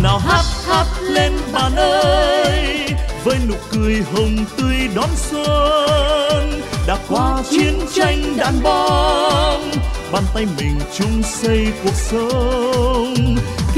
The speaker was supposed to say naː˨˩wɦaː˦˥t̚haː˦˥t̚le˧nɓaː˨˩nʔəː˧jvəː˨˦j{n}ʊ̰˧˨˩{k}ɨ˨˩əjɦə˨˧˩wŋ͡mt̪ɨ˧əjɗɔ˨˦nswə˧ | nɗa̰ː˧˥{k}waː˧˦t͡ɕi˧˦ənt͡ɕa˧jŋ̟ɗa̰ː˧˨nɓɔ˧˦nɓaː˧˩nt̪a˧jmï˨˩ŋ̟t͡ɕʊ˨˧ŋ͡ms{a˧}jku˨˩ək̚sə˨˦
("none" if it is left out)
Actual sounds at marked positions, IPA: n, k, k, ə˧

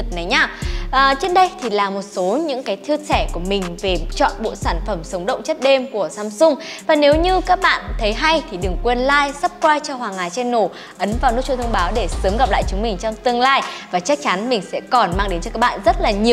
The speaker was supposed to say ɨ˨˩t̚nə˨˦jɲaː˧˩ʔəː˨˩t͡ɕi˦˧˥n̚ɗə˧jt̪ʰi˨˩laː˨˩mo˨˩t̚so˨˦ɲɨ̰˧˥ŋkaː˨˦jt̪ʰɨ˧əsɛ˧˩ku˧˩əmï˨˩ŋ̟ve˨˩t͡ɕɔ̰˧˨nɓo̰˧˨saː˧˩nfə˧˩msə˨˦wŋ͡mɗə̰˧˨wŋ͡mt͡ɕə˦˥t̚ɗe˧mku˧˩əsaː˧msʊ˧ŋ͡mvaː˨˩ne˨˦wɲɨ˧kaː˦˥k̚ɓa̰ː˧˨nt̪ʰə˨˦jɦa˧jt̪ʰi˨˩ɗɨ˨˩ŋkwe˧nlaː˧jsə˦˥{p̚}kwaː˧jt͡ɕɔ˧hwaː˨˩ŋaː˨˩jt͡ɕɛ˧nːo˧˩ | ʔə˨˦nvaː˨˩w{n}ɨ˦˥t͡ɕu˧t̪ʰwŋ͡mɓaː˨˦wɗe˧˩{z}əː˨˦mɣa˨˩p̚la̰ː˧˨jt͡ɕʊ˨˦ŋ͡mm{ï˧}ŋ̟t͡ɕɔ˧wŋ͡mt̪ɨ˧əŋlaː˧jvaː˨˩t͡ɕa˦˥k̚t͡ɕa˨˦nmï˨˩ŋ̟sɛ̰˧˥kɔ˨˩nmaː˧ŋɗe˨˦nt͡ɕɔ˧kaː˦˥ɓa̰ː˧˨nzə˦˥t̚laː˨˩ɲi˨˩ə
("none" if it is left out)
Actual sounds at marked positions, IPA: p̚, n, s, ï˨˩

